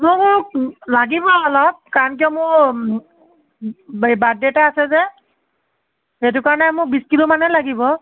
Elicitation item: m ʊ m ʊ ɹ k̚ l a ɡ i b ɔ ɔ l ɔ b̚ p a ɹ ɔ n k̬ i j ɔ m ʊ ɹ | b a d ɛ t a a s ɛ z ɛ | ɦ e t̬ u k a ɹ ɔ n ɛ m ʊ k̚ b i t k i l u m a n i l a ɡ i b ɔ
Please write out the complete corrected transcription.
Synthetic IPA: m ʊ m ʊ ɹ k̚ l a ɡ i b ɔ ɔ l ɔ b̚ k a ɹ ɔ n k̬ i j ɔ m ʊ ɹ | b a d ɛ t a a s ɛ z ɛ | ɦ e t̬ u k a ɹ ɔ n ɛ m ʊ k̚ b i s k i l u m a n ɛ l a ɡ i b ɔ